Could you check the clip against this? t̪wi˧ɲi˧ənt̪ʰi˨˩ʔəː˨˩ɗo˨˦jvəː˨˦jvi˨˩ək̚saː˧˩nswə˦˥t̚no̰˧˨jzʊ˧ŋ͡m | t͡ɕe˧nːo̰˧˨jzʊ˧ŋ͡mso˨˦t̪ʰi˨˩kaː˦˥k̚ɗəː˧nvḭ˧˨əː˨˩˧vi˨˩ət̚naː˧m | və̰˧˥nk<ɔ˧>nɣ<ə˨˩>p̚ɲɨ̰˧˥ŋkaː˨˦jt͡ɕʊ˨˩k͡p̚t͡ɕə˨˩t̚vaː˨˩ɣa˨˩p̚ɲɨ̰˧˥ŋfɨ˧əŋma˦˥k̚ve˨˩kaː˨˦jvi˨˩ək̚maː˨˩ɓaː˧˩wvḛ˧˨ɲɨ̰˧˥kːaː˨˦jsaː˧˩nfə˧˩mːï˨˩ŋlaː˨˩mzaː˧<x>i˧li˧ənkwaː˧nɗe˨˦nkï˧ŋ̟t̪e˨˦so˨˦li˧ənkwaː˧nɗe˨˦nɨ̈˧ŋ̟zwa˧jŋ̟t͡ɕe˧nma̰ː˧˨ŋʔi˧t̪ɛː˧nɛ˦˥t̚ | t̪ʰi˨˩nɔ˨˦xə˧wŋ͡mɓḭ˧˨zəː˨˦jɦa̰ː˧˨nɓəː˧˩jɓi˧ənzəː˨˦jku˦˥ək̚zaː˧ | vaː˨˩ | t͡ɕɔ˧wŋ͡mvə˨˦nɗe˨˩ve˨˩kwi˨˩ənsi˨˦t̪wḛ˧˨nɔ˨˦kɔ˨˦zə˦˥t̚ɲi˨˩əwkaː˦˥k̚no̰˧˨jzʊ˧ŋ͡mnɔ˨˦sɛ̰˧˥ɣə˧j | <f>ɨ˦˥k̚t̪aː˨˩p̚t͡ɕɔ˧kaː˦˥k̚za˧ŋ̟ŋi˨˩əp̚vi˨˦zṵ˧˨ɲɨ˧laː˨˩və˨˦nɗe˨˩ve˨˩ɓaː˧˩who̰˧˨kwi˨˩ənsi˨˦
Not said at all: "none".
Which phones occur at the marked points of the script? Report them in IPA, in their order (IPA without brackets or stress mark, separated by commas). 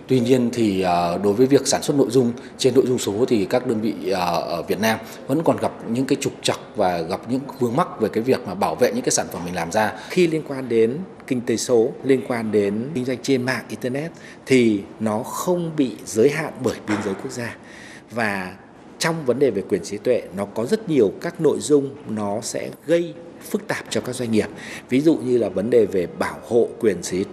ɔ˨˩, a˨˩, x, f